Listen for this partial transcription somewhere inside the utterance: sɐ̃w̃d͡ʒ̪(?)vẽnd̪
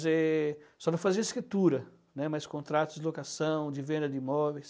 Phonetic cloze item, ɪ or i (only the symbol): ɪ